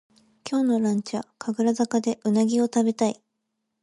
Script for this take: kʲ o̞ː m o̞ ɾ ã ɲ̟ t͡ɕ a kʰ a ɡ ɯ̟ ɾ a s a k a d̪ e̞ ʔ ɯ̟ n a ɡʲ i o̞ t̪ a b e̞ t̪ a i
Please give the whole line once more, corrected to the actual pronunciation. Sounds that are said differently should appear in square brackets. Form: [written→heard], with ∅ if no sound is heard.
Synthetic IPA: kʲ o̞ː [m→n] o̞ ɾ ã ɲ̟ t͡ɕ a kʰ a ɡ ɯ̟ ɾ a [s→z] a k a d̪ e̞ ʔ ɯ̟ n a ɡʲ i o̞ t̪ a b e̞ t̪ a i